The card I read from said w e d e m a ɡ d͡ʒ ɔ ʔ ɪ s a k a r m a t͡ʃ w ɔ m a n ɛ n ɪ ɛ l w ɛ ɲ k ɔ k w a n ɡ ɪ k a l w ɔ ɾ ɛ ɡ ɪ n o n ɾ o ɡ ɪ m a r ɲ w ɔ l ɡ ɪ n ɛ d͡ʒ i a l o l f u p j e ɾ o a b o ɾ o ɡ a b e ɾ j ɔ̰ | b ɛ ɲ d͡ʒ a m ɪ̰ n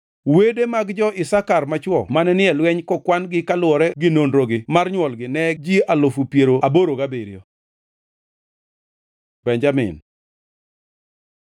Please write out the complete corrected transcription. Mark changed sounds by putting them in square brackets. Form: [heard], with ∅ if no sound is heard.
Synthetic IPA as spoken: w e d e m a ɡ d͡ʒ ɔ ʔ ɪ s a k a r m a t͡ʃ w ɔ m a n ɛ n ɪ ɛ l w ɛ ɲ k ɔ k w a n ɡ ɪ k a l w ɔ ɾ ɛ ɡ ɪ n o n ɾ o ɡ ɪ m a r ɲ w ɔ l ɡ ɪ n ɛ d͡ʒ i a l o [∅] f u p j e ɾ o a b o ɾ o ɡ a b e ɾ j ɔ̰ | b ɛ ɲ d͡ʒ a m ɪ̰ n